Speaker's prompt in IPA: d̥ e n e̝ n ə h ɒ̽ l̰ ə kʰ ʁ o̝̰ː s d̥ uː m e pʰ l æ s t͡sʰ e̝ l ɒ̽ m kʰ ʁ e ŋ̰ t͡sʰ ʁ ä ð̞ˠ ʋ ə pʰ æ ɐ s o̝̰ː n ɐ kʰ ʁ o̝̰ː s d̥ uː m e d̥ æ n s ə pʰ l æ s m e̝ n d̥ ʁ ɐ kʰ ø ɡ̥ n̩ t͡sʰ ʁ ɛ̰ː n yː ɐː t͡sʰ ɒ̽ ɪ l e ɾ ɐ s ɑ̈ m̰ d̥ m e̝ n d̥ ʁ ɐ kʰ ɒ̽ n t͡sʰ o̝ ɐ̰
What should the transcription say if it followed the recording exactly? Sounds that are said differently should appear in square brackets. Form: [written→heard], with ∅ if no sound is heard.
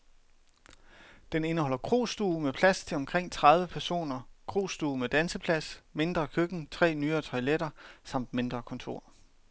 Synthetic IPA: d̥ e n e̝ n ə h ɒ̽ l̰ [ə→ɐ] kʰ ʁ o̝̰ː s d̥ uː m e pʰ l æ s t͡sʰ e̝ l ɒ̽ m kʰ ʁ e ŋ̰ t͡sʰ ʁ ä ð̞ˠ ʋ ə pʰ æ ɐ s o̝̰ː n ɐ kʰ ʁ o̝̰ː s d̥ uː m e d̥ æ n s ə pʰ l æ s m e̝ n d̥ ʁ ɐ kʰ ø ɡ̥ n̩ t͡sʰ ʁ ɛ̰ː n yː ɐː t͡sʰ ɒ̽ ɪ l e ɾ ɐ s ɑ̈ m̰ d̥ m e̝ n d̥ ʁ ɐ kʰ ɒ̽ n t͡sʰ o̝ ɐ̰